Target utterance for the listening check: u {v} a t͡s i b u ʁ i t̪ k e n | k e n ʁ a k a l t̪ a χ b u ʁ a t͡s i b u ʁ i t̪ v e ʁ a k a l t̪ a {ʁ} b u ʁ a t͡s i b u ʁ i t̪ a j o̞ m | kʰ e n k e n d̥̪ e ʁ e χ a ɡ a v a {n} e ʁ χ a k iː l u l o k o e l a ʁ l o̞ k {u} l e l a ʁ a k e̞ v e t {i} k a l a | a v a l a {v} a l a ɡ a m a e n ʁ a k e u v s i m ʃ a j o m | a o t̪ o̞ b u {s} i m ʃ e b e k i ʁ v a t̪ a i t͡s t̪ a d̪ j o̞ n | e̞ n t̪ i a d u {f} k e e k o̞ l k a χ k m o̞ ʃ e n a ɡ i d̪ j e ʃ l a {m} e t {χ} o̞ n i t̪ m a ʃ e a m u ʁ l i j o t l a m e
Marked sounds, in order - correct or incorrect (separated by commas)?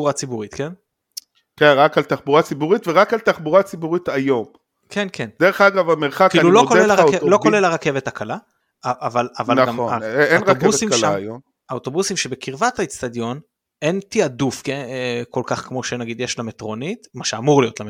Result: incorrect, incorrect, incorrect, incorrect, incorrect, correct, correct, correct, correct, incorrect